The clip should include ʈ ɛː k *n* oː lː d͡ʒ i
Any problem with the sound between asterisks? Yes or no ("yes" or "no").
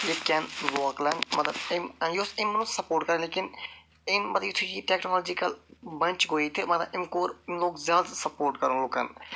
no